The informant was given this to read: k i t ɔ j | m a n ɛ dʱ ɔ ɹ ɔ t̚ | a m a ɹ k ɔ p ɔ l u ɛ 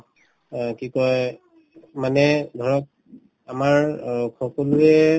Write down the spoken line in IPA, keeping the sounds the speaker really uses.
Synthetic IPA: k i k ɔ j | m a n ɛ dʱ ɔ ɹ ɔ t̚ | a m a ɹ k ɔ k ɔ l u ɛ